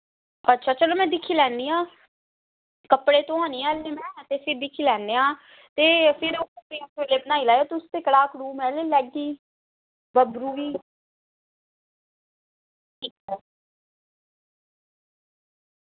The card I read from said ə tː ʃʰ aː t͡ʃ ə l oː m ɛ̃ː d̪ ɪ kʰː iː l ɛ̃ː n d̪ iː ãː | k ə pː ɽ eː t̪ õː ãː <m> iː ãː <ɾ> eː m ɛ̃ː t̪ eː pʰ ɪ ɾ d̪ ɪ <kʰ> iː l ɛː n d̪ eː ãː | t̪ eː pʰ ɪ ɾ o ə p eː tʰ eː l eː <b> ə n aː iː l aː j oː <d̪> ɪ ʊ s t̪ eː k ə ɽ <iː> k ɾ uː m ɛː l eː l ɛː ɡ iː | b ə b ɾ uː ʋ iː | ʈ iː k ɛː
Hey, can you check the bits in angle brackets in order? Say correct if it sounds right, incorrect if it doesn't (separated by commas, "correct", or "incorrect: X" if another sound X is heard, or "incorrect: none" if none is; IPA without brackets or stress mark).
incorrect: n, incorrect: l, correct, correct, incorrect: t̪, incorrect: aː